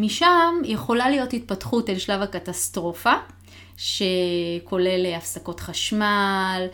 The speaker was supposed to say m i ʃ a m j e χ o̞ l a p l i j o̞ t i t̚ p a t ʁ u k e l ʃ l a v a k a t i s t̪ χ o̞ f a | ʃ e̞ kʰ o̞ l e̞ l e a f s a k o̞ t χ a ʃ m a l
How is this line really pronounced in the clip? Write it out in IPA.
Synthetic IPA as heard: m i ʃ a m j e χ o̞ l a l i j o̞ t i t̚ p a t χ u t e l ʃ l a v a k a t a s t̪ ʁ o̞ f a | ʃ e̞ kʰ o̞ l e̞ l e a f s a k o̞ t χ a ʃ m a l